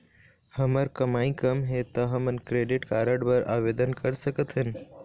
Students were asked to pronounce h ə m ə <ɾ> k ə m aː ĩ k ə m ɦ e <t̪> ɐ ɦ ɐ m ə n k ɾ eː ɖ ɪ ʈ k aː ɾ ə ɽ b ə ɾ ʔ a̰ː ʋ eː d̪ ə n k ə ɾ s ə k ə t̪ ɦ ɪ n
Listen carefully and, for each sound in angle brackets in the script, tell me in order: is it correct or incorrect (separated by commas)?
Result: correct, correct